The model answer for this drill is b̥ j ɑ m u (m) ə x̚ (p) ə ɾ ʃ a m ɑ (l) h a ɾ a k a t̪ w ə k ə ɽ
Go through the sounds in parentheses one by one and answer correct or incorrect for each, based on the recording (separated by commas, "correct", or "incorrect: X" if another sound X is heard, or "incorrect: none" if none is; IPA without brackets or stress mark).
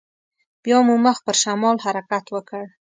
correct, correct, correct